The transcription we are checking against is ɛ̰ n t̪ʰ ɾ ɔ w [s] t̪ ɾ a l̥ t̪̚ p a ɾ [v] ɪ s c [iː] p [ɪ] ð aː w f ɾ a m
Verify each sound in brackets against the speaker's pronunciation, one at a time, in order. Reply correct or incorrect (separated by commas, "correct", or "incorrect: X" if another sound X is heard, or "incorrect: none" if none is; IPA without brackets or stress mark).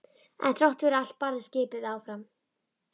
incorrect: h, incorrect: ð, incorrect: ɪː, correct